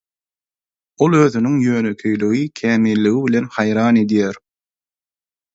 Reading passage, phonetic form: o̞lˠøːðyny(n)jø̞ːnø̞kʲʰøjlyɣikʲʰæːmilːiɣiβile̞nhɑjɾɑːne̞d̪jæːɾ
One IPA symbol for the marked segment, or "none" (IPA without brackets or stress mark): ŋ